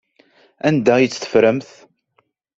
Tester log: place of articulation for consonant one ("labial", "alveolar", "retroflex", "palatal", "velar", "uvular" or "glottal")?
alveolar